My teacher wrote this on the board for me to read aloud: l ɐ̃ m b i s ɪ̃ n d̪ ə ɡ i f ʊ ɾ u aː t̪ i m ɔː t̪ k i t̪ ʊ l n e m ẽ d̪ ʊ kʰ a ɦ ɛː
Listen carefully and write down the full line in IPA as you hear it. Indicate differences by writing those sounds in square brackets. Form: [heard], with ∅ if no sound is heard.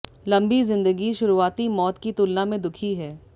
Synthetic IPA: l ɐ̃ m b i [z] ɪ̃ n d̪ ə ɡ i [ʃ] ʊ ɾ u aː t̪ i m ɔː t̪ k i t̪ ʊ l n [a] m ẽ d̪ ʊ kʰ [i] ɦ ɛː